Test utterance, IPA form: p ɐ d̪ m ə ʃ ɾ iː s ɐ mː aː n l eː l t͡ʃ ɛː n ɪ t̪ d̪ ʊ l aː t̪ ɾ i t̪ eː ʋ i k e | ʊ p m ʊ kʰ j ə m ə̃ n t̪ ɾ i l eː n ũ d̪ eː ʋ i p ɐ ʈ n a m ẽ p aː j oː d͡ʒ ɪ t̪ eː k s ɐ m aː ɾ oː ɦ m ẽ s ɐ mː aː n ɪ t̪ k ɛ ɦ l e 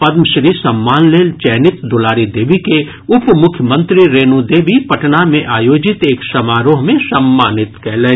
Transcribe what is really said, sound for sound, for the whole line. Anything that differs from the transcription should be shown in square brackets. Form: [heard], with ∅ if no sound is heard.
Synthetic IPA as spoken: p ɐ d̪ m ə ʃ ɾ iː s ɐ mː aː n l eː l t͡ʃ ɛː n ɪ t̪ d̪ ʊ l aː [∅] ɾ i [d̪] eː ʋ i k e | ʊ p m ʊ kʰ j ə m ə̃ n t̪ ɾ i [ɾ] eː n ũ d̪ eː ʋ i p ɐ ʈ n a m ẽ [ʔ] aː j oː d͡ʒ ɪ t̪ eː k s ɐ m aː ɾ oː ɦ m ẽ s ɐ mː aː n ɪ t̪ k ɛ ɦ l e